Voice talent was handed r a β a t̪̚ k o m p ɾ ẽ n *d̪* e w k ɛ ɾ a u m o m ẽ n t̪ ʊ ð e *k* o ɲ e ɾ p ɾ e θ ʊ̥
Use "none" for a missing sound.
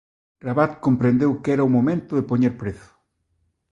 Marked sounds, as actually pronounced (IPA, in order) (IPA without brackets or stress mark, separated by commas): d̪, p